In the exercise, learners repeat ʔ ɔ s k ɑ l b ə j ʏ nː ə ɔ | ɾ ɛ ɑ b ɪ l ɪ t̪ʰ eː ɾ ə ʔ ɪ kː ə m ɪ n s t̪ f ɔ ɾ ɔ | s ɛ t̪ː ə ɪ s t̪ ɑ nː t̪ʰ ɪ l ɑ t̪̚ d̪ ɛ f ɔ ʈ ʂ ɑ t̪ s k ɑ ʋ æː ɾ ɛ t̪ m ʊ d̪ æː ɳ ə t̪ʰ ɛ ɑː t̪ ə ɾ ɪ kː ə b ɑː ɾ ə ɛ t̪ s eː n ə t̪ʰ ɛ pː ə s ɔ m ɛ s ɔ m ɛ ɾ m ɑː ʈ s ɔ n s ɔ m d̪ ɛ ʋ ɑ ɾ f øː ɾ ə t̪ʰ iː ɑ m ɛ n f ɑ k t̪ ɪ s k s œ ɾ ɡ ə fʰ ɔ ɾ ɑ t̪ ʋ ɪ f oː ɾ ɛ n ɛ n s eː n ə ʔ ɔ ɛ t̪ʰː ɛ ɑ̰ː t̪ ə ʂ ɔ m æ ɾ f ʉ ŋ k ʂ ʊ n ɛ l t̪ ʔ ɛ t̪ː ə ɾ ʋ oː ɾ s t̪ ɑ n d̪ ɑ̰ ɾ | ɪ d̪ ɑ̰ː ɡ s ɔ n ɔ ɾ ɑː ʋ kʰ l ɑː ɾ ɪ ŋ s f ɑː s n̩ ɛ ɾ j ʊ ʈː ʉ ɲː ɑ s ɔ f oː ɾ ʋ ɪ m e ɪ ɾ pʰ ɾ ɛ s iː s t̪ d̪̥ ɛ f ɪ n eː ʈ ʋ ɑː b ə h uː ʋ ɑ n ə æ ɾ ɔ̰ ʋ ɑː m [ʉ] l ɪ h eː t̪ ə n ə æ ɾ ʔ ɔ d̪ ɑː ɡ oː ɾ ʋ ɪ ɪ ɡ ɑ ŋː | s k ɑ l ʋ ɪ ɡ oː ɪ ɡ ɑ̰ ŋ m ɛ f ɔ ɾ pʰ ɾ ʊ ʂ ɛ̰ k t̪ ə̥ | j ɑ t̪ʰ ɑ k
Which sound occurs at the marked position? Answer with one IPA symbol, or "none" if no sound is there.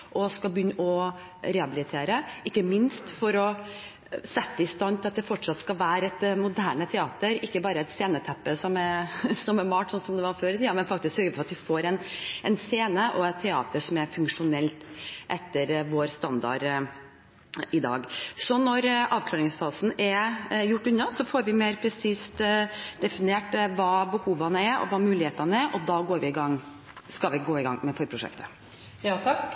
ʉː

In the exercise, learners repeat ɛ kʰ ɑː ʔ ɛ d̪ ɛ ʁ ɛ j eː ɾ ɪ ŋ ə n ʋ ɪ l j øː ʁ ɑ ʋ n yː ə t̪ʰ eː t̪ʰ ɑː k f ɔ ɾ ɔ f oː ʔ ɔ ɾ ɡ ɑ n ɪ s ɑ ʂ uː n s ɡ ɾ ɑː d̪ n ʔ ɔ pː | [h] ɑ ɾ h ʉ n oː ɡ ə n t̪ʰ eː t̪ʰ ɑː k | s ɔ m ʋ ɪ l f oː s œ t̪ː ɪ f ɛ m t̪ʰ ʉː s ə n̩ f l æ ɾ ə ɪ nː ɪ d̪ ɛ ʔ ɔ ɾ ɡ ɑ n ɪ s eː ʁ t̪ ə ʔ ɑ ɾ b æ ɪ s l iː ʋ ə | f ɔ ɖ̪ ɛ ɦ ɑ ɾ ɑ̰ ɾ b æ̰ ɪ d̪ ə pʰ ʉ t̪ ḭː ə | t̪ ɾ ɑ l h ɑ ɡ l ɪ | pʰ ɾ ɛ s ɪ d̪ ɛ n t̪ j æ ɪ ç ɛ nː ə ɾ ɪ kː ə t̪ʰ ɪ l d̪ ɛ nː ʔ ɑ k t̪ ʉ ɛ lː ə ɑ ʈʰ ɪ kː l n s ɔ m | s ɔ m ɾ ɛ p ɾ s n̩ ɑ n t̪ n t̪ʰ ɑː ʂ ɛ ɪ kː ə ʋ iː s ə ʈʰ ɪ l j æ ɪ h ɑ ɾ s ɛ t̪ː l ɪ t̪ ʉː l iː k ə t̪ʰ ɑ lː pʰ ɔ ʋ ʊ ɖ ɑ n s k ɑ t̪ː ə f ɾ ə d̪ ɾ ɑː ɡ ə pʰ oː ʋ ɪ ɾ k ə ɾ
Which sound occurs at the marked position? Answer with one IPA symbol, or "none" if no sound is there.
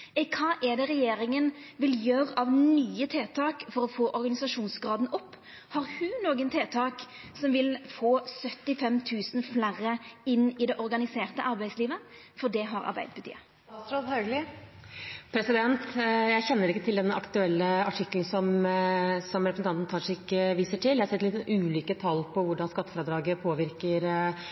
h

